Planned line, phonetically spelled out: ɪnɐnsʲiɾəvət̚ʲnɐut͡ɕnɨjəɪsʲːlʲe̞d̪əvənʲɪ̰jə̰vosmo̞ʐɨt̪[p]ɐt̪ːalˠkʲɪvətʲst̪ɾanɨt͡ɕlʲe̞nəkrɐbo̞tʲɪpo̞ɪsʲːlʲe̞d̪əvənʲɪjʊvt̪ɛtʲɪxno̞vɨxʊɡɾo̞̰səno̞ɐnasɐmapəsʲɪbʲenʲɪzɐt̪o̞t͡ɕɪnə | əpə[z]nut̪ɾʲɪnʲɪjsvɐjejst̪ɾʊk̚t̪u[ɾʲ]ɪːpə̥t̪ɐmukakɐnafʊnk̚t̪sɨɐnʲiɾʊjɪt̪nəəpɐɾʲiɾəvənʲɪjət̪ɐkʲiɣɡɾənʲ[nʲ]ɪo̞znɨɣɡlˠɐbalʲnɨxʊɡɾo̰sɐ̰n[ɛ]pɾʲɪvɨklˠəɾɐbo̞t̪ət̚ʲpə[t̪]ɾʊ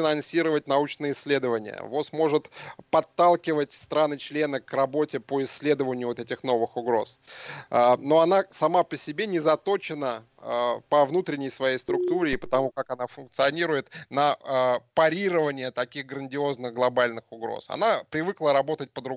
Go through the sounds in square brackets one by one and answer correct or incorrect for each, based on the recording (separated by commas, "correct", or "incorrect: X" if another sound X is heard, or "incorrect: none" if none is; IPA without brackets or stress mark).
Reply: correct, incorrect: v, correct, incorrect: dʲ, incorrect: a, incorrect: d̪